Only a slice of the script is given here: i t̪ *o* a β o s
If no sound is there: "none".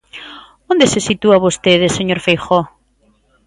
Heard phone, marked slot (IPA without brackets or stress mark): u